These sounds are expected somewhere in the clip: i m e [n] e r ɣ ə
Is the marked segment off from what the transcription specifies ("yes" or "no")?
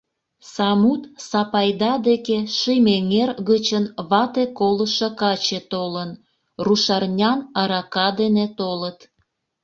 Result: yes